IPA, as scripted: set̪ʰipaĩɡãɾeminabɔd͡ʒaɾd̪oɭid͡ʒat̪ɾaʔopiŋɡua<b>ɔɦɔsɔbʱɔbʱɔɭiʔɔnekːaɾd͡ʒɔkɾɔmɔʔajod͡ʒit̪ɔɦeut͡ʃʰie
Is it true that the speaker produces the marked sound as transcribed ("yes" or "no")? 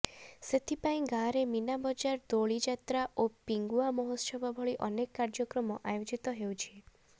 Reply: no